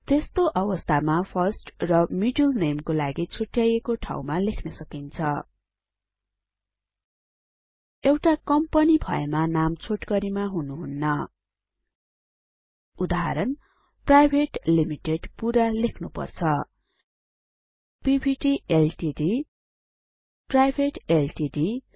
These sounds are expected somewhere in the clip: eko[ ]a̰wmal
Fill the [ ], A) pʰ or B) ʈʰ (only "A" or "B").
B